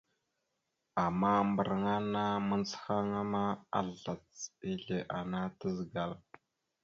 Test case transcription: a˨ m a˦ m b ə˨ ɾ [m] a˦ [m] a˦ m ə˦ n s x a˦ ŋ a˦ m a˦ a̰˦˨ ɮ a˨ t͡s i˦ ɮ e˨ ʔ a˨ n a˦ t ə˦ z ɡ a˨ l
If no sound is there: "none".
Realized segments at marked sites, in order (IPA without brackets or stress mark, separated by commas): ŋ, n